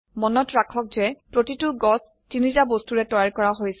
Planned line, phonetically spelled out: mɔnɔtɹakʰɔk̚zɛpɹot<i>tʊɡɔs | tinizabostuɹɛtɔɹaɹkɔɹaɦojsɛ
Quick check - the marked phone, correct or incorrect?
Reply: correct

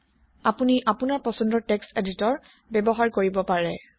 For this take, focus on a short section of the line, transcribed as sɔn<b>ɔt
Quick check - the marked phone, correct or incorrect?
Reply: incorrect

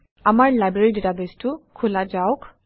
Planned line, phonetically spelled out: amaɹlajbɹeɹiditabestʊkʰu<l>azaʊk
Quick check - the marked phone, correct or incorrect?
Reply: correct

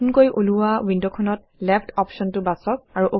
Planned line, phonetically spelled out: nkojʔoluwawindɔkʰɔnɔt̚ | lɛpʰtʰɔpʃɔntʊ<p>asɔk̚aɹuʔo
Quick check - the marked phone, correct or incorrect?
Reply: incorrect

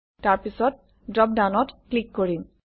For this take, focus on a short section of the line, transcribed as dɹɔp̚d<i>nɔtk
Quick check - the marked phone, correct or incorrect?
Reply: incorrect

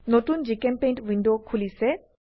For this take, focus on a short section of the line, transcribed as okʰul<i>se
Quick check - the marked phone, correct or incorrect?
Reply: correct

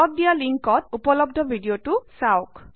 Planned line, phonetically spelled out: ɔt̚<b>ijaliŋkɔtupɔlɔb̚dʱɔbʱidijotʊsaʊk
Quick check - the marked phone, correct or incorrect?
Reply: incorrect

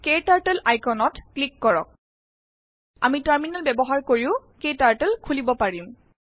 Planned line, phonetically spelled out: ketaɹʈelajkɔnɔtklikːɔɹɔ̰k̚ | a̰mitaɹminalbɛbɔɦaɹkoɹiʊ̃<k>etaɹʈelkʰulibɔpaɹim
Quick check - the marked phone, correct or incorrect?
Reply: correct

